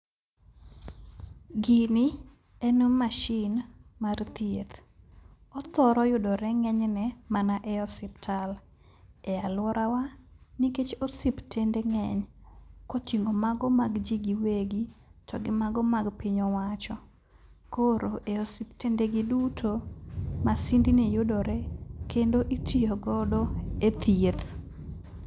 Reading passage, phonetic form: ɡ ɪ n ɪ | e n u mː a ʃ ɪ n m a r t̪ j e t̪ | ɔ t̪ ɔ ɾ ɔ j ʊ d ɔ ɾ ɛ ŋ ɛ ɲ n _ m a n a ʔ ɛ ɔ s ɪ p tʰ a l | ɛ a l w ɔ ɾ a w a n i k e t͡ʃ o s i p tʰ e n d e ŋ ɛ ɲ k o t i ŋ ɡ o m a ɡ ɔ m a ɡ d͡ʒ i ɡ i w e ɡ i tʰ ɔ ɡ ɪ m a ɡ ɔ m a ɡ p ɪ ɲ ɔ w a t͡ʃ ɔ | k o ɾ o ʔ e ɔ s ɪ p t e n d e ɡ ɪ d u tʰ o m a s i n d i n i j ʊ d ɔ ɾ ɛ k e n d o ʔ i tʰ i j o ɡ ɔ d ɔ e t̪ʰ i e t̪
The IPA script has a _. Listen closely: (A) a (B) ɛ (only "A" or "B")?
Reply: B